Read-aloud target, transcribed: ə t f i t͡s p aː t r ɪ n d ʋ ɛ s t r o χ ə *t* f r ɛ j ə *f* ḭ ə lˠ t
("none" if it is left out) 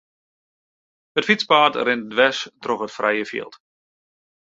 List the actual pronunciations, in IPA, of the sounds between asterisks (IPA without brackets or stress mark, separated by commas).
t, f